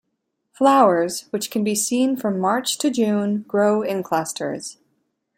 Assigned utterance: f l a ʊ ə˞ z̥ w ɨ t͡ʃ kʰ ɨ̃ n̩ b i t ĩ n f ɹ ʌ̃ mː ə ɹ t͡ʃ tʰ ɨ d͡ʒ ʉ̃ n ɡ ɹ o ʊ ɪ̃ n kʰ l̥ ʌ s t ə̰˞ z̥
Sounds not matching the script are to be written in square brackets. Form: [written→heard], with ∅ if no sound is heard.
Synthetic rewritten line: f l a ʊ ə˞ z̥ w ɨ t͡ʃ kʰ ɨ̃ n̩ b i [t→s] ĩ n f ɹ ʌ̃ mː [ə→ɑ] ɹ t͡ʃ tʰ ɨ d͡ʒ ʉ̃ n ɡ ɹ o ʊ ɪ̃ n kʰ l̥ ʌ s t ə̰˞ z̥

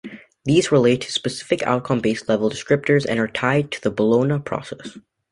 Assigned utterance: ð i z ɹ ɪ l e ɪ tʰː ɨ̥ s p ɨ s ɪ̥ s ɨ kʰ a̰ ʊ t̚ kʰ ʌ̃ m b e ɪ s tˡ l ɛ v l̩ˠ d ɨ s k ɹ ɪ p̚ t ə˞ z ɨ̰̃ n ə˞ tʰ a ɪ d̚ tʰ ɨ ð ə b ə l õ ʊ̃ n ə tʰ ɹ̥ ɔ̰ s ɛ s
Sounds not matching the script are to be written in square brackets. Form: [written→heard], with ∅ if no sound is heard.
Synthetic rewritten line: ð i z ɹ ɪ l e ɪ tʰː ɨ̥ s p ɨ s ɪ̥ [s→f] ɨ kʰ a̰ ʊ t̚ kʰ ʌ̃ m b e ɪ s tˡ l ɛ v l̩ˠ d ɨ s k ɹ ɪ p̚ t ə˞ z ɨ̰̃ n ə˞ tʰ a ɪ d̚ tʰ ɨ ð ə b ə l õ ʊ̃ n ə [tʰ→pʰ] ɹ̥ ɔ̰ s ɛ s

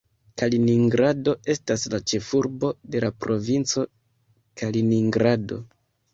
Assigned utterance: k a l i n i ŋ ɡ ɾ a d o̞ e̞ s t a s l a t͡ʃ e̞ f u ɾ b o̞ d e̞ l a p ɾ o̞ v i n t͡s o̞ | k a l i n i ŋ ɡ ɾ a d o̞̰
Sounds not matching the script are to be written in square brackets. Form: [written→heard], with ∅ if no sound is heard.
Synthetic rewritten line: k a l i n i ŋ ɡ ɾ a d o̞ e̞ s t a s l a t͡ʃ e̞ f u ɾ b o̞ d e̞ l a p ɾ o̞ v i n t͡s o̞ | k a l i n i ŋ ɡ ɾ a d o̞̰

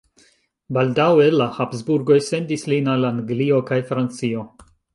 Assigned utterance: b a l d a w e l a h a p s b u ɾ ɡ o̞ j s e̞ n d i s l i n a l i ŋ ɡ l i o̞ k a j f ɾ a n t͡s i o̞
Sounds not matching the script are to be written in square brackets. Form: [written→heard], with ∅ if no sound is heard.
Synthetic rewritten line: b a l d a w e l a h a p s b u ɾ ɡ o̞ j s e̞ n d i s l i n a l [i→a] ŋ ɡ l i o̞ k a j f ɾ a n t͡s i o̞

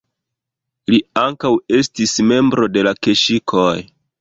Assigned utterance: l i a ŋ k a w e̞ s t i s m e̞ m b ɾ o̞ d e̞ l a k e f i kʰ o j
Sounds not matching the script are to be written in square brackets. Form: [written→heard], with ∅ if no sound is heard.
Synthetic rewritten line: l i a ŋ k a w e̞ s t i s m e̞ m b ɾ o̞ d e̞ l a k e [f→ʃ] i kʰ o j

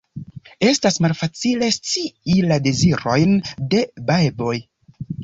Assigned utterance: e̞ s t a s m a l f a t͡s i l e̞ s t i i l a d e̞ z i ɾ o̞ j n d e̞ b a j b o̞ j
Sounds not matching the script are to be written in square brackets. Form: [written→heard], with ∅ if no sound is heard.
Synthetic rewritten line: e̞ s t a s m a l f a t͡s i l e̞ s [t→t͡s] i i l a d e̞ z i ɾ o̞ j n d e̞ b a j b o̞ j

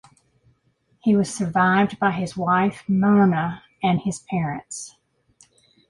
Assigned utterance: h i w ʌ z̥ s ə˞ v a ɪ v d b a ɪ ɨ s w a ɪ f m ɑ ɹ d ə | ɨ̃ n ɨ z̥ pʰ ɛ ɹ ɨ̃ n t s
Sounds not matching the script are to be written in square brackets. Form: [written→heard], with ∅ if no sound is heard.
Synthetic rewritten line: h i w ʌ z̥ s ə˞ v a ɪ v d b a ɪ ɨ [s→z] w a ɪ f m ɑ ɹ [d→n] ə | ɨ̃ n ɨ z̥ pʰ ɛ ɹ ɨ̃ n t s

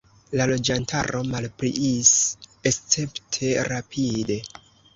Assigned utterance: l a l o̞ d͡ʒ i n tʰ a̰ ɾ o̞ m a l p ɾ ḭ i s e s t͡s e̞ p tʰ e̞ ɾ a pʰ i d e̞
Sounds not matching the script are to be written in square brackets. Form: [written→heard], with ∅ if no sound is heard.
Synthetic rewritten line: l a l o̞ d͡ʒ [i→a] n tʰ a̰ ɾ o̞ m a l p ɾ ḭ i s e s t͡s e̞ p tʰ e̞ ɾ a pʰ i d e̞

